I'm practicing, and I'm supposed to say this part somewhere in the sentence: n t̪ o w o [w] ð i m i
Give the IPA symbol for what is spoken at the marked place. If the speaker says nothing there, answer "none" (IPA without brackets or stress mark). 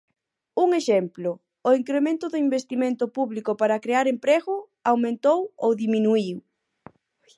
w